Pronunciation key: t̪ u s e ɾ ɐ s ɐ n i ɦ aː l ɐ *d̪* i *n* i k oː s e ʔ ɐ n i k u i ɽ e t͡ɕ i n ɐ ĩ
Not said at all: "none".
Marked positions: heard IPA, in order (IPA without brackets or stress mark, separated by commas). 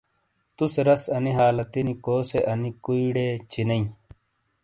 t̪, n